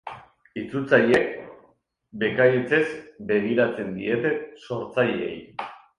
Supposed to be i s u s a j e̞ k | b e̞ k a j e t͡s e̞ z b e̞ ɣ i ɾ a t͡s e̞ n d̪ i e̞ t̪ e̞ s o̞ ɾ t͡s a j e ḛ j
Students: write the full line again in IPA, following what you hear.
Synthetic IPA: i t͡s u t͡s a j e̞ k | b e̞ k a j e t͡s e̞ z b e̞ ɣ i ɾ a t͡s e̞ n d̪ i e̞ t̪ e̞ s o̞ ɾ t͡s a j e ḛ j